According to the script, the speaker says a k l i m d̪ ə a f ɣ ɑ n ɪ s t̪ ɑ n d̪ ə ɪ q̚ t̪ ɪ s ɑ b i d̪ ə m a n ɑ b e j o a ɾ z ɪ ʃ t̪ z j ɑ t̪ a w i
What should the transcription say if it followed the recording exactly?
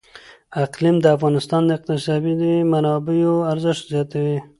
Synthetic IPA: a q l i m d̪ ə a f ɣ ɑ n ɪ s t̪ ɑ n d̪ ə ɪ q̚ t̪ ɪ s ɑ b i d̪ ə m a n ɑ b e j o a ɾ z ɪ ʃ t̪ z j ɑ t̪ a w i